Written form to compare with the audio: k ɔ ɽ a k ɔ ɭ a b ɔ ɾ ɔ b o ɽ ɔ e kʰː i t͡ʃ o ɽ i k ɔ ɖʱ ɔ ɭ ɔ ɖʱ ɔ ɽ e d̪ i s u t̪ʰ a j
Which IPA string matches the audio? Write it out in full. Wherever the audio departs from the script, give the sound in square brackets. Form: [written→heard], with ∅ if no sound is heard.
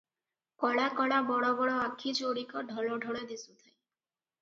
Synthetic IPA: k ɔ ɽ a k ɔ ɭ a b ɔ [ɾ→ɽ] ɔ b [o→ɔ] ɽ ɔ [e→a] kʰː i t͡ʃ o ɽ i k ɔ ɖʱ ɔ [ɭ→l] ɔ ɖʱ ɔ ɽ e d̪ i s u t̪ʰ a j